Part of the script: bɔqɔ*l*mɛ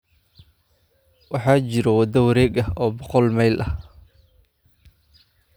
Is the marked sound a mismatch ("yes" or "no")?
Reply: no